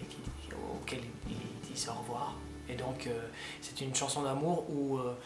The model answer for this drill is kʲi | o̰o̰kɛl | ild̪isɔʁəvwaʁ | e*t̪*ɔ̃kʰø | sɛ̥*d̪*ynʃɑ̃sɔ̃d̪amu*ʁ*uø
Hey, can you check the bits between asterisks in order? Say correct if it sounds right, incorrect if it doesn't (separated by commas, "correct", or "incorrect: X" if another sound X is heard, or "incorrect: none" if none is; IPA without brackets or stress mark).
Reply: incorrect: d̪, incorrect: t̪, correct